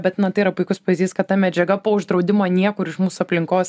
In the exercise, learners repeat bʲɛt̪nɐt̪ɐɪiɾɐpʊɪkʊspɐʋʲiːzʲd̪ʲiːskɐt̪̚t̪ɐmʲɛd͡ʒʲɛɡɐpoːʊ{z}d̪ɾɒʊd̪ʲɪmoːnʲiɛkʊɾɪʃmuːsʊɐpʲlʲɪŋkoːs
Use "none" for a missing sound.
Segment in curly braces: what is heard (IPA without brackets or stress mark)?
ʒ